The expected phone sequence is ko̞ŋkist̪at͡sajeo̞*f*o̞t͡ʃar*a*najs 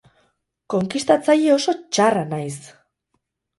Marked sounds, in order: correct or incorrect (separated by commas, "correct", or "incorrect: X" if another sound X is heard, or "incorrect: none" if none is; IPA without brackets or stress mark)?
incorrect: s, correct